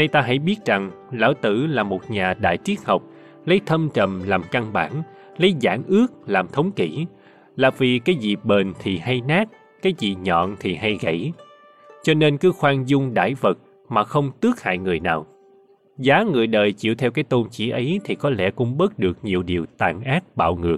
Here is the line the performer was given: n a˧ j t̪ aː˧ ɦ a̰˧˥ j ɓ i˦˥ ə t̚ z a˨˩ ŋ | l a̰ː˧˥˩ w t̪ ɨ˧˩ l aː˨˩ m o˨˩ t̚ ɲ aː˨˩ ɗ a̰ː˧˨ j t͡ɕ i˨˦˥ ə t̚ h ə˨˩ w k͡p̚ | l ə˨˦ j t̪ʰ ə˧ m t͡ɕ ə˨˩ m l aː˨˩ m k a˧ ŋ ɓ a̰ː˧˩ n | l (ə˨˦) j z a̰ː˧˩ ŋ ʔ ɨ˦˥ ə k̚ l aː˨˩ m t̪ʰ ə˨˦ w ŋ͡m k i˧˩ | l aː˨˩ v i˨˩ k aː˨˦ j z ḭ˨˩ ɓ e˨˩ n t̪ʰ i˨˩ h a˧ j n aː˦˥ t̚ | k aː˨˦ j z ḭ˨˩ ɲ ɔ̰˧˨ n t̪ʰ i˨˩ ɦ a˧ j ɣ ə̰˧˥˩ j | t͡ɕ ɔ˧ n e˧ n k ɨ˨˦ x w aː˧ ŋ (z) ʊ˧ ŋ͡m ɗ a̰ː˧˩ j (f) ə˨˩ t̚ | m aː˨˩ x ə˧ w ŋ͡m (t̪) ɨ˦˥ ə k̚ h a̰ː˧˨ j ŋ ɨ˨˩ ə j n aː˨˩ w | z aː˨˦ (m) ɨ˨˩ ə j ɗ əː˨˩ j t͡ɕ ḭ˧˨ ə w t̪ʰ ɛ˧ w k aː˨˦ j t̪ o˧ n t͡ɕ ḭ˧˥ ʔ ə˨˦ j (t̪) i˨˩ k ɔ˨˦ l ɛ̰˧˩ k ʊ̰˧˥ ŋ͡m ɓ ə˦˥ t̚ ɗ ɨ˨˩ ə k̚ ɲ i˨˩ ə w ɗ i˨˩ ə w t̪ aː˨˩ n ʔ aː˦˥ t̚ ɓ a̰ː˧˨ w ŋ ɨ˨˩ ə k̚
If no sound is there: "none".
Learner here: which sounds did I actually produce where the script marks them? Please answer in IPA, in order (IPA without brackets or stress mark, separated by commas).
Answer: ə˨˦, z, v, t̪, ŋ, t̪ʰ